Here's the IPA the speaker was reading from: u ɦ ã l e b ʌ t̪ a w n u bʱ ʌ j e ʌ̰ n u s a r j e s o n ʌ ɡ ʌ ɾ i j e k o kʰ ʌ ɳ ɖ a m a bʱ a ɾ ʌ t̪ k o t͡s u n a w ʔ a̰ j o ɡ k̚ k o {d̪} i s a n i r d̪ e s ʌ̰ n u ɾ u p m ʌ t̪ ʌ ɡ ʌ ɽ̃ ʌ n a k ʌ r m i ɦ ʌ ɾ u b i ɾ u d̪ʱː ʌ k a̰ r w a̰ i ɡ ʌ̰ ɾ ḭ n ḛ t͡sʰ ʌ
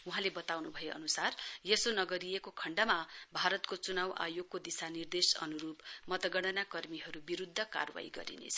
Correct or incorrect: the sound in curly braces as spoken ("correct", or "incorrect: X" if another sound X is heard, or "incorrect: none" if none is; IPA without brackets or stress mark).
correct